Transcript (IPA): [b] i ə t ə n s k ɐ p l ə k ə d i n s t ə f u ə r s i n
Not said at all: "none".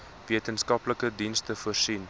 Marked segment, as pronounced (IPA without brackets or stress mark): v